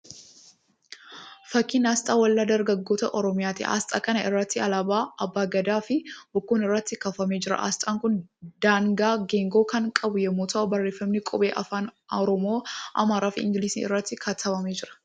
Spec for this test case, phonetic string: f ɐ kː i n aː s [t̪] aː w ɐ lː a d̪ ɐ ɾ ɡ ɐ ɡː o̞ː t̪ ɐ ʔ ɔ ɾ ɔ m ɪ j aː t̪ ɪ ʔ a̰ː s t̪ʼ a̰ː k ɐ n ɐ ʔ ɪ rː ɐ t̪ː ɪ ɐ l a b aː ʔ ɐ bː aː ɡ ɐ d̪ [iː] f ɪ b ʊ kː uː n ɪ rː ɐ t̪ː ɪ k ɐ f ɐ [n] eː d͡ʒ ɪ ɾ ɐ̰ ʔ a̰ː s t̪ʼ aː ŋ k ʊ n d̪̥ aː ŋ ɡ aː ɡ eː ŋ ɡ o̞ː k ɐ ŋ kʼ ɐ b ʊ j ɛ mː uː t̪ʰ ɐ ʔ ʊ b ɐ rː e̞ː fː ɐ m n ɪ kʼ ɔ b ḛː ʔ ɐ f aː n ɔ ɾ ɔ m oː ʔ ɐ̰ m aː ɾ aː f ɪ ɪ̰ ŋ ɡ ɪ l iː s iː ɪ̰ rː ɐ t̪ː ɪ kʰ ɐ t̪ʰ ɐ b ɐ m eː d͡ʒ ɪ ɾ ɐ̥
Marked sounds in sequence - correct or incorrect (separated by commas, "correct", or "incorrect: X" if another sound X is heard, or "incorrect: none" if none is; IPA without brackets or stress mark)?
incorrect: t̪ʼ, incorrect: aː, incorrect: m